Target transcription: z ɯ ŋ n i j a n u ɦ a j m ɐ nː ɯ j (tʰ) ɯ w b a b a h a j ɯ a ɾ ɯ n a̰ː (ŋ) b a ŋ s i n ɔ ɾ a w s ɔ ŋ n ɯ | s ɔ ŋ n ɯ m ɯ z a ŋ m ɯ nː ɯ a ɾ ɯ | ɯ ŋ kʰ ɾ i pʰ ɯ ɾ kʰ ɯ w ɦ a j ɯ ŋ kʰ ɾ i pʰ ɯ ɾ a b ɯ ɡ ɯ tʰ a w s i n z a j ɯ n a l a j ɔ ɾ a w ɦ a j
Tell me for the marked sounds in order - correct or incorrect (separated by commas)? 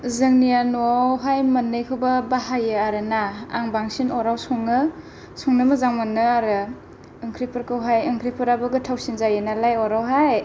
incorrect, correct